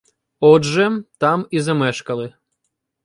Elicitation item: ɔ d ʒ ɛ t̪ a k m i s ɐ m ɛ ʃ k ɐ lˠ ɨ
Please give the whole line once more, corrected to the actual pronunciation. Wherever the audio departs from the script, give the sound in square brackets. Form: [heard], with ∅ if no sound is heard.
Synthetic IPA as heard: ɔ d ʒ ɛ t̪ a [∅] m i [z] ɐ m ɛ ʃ k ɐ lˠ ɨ